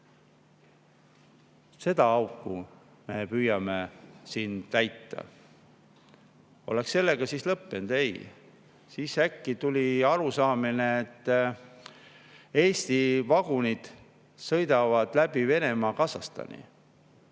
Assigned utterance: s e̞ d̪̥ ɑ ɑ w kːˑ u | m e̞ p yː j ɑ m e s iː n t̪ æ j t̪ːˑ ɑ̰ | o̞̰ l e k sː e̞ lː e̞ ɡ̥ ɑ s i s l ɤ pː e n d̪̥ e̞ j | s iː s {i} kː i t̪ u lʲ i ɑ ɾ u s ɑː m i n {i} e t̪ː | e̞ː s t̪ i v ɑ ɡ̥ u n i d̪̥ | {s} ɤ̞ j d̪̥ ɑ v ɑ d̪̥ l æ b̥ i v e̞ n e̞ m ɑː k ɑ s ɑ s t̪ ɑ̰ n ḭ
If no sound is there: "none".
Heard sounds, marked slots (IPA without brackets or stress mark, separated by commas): æ, e, s